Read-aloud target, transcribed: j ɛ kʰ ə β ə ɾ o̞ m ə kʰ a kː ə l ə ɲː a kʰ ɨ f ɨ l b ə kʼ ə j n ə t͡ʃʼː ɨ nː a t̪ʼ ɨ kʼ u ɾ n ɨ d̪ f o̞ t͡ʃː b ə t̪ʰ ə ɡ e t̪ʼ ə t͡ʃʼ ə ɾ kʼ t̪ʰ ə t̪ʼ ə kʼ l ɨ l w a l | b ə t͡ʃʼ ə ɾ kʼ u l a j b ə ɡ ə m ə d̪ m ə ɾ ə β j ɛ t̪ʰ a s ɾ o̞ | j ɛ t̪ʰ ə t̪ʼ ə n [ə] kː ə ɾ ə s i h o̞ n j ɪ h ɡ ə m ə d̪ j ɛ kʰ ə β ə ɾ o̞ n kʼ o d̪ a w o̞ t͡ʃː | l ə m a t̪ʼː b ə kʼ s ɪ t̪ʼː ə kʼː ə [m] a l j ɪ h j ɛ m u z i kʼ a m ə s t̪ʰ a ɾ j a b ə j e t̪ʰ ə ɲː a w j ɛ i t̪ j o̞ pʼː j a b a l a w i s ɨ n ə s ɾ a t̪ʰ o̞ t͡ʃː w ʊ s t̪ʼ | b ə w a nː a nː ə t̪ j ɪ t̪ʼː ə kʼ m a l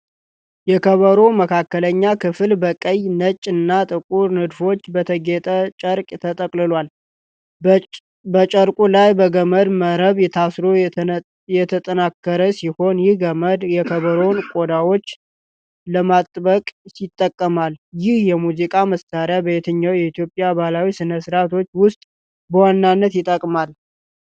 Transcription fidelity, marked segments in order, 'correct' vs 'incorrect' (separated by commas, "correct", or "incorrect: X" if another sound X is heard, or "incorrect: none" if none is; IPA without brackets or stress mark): incorrect: a, correct